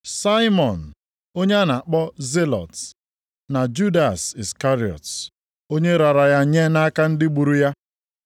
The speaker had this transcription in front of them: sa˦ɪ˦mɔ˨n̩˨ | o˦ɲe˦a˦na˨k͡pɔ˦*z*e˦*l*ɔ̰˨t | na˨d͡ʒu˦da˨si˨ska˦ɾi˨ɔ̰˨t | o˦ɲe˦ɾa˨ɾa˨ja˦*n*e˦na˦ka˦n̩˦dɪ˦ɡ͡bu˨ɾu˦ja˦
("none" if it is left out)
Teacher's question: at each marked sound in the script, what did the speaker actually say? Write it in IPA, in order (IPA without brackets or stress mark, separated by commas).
z, l, ɲ